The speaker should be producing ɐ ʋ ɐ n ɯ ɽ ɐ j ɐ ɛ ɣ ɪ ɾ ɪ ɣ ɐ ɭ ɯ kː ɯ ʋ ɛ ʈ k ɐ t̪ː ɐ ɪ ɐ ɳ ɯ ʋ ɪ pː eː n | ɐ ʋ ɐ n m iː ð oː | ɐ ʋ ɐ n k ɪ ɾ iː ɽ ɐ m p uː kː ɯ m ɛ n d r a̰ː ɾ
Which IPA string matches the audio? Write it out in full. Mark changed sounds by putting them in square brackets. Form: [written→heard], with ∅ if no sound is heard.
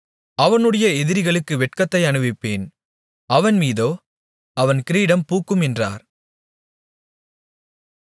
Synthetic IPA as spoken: ɐ ʋ ɐ n ɯ ɽ ɐ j ɐ ɛ [ɣ→ð] ɪ ɾ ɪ ɣ ɐ ɭ ɯ kː ɯ ʋ ɛ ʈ k ɐ t̪ː ɐ ɪ ɐ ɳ ɯ ʋ ɪ pː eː n | ɐ ʋ ɐ n m iː ð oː | ɐ ʋ ɐ n k ɪ ɾ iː ɽ ɐ m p uː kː ɯ m ɛ n d r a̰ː ɾ

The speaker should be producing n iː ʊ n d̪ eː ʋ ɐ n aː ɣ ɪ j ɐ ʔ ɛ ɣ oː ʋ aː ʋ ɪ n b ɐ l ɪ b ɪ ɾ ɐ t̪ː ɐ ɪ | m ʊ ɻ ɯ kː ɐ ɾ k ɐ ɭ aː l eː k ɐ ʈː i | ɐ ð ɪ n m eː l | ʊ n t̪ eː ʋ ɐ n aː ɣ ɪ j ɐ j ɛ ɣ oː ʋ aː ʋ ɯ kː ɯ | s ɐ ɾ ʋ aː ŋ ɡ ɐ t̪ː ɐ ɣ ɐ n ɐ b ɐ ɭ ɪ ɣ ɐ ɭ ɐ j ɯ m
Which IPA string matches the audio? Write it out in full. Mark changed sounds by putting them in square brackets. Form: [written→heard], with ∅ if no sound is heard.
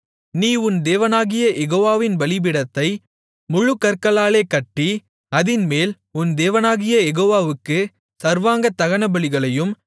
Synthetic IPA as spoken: n iː ʊ n d̪ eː ʋ ɐ n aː ɣ ɪ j ɐ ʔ ɛ ɣ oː ʋ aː ʋ ɪ n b ɐ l ɪ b ɪ [ɾ→ɽ] ɐ t̪ː ɐ ɪ | m ʊ ɻ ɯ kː ɐ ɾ k ɐ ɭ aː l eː k ɐ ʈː i | ɐ ð ɪ n m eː l | ʊ n [t̪→d̪] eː ʋ ɐ n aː ɣ ɪ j ɐ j ɛ ɣ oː ʋ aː ʋ ɯ kː ɯ | s ɐ ɾ ʋ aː ŋ ɡ ɐ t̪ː ɐ ɣ ɐ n ɐ b ɐ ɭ ɪ ɣ ɐ ɭ ɐ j ɯ m

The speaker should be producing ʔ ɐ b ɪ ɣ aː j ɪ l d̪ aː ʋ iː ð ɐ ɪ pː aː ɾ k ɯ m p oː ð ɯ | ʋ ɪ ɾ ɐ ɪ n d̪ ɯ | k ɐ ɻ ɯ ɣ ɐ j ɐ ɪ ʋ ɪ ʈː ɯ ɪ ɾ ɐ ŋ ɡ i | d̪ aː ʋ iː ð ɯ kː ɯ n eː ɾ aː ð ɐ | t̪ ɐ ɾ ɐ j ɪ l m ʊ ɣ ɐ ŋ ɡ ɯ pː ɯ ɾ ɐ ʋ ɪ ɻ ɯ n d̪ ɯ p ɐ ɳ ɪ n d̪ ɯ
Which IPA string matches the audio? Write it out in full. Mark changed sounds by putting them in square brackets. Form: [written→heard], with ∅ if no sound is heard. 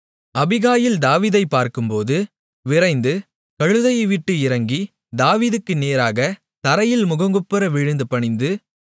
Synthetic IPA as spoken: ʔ ɐ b ɪ ɣ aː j ɪ l d̪ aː ʋ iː ð ɐ ɪ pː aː ɾ k ɯ m p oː ð ɯ | ʋ ɪ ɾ ɐ ɪ n d̪ ɯ | k ɐ ɻ ɯ [ɣ→ð] ɐ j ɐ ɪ ʋ ɪ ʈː ɯ ɪ ɾ ɐ ŋ ɡ i | d̪ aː ʋ iː ð ɯ kː ɯ n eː ɾ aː [ð→ɣ] ɐ | t̪ ɐ ɾ ɐ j ɪ l m ʊ ɣ ɐ ŋ ɡ ɯ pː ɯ ɾ ɐ ʋ ɪ ɻ ɯ n d̪ ɯ p ɐ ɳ ɪ n d̪ ɯ

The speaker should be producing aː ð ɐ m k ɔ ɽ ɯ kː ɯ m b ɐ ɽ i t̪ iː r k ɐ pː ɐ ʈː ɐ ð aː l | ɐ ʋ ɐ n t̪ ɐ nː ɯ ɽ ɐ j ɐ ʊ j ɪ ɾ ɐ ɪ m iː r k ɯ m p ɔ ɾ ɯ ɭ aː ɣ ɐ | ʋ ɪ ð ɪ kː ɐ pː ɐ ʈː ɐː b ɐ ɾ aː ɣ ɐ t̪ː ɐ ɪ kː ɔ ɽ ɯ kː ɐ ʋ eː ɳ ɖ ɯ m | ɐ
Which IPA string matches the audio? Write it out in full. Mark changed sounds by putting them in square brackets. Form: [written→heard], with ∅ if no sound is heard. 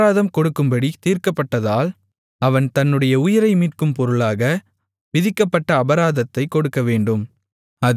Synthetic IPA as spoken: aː ð ɐ m k ɔ ɽ ɯ kː ɯ m b ɐ ɽ i t̪ iː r k ɐ pː ɐ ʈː ɐ ð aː l | ɐ ʋ ɐ n t̪ ɐ nː ɯ ɽ ɐ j ɐ ʊ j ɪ ɾ ɐ ɪ m iː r k ɯ m p ɔ ɾ ɯ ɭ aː ɣ ɐ | ʋ ɪ ð ɪ kː ɐ pː ɐ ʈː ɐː b ɐ ɾ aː [ɣ→ð] ɐ t̪ː ɐ ɪ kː ɔ ɽ ɯ kː ɐ ʋ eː ɳ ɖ ɯ m | ɐ

